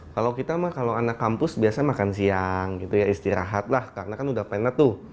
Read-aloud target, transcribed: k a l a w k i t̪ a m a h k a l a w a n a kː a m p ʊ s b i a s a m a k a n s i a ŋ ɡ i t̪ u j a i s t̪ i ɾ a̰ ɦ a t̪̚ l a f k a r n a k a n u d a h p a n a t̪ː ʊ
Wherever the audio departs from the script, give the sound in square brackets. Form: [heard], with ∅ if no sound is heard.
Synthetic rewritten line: k a l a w k i t̪ a m a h k a l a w a n a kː a m p ʊ s b i a s a m a k a n s i a ŋ ɡ i t̪ u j a i s t̪ i ɾ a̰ ɦ a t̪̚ l a [h] k a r n a k a n u d a h p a n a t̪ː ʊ